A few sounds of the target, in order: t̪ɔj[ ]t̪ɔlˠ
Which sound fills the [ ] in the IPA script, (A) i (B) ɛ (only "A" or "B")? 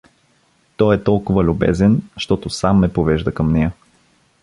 B